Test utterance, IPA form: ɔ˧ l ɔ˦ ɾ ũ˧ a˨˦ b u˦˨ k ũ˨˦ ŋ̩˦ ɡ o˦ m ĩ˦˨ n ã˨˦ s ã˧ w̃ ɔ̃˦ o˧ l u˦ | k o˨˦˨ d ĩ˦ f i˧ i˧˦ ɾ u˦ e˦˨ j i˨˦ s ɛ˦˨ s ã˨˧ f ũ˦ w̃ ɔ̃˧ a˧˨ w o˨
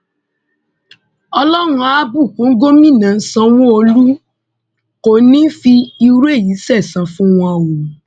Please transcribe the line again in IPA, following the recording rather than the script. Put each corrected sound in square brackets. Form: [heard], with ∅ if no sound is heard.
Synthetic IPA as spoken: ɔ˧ l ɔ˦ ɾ ũ˧ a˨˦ b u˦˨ k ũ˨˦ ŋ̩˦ ɡ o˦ m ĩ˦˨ n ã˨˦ s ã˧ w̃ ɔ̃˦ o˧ l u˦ | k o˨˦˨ [n] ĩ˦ f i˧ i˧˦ ɾ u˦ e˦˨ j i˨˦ s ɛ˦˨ s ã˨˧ f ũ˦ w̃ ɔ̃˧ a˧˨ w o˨